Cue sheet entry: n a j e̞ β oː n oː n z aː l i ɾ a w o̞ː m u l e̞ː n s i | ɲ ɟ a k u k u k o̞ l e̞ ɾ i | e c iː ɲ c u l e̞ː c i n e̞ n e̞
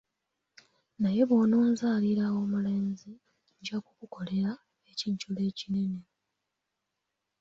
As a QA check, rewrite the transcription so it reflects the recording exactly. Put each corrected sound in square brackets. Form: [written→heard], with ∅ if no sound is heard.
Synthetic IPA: n a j e̞ β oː n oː n z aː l i ɾ a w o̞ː m u l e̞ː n [s→z] i | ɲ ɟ a k u k u k o̞ l e̞ ɾ [i→a] | e c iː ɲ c u l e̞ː c i n e̞ n e̞